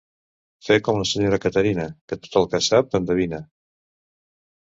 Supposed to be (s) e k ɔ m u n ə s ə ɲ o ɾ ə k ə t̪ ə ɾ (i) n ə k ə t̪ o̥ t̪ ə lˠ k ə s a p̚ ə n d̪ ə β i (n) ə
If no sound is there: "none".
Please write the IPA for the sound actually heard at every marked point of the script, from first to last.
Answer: f, i, n

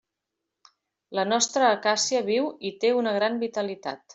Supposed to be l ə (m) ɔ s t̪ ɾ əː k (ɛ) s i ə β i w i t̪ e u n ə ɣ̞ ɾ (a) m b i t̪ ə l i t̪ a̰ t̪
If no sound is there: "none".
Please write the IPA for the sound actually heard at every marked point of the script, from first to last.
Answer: n, a, a

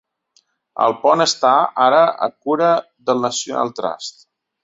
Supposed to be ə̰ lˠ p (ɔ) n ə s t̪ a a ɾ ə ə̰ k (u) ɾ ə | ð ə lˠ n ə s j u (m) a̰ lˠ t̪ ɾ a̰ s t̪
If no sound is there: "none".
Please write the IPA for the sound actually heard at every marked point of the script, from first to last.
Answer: ɔ, u, n

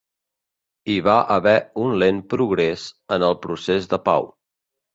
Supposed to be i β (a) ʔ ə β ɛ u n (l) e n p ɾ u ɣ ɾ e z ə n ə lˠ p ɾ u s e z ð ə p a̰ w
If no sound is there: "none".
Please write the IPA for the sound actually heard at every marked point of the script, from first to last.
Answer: a, l

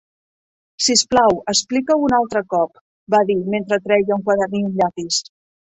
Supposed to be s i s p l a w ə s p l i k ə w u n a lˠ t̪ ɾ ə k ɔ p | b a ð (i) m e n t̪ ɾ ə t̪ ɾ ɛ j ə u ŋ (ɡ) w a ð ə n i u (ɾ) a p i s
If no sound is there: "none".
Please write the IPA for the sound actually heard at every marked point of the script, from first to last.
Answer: i, k, ʎ

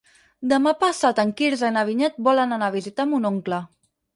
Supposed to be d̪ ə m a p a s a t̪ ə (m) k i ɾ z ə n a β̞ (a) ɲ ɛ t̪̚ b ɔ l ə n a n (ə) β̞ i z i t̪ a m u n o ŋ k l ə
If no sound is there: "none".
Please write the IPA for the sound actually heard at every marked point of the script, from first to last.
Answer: ŋ, i, a

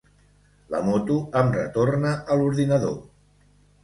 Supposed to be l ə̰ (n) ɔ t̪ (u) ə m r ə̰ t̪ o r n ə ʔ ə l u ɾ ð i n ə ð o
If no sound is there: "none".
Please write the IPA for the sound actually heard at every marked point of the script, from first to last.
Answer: m, u

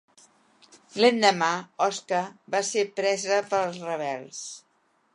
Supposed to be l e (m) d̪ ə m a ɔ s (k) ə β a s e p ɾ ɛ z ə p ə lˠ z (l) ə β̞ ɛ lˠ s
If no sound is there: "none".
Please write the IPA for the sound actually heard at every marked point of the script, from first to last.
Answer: n, k, r

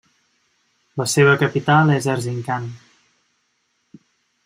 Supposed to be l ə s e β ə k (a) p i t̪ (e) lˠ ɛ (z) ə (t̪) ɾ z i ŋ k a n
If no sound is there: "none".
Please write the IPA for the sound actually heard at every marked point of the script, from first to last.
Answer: ə, a, z, none

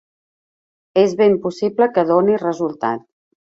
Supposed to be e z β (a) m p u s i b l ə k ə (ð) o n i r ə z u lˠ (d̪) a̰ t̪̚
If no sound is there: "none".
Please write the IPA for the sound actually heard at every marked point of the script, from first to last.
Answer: e, ð, t̪

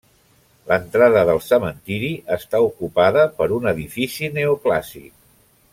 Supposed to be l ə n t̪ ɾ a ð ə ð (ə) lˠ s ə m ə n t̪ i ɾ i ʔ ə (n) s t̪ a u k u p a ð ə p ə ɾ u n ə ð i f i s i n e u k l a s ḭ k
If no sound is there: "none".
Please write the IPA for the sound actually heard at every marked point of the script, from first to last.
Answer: ə, none

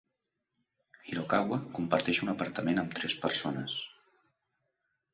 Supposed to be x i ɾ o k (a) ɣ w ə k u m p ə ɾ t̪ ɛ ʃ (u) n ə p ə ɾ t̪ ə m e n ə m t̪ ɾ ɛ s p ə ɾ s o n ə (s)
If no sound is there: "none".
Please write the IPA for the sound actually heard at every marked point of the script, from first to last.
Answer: a, u, s

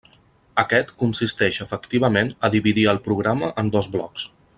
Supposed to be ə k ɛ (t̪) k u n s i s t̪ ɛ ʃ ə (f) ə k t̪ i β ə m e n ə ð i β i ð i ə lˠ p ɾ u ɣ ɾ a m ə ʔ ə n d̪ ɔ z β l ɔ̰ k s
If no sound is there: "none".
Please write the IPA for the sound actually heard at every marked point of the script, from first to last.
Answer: t̪, f

